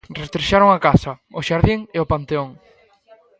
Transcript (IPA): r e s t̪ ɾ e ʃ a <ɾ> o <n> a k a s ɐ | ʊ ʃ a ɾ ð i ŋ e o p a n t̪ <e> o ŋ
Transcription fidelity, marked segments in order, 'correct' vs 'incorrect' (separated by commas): correct, incorrect, correct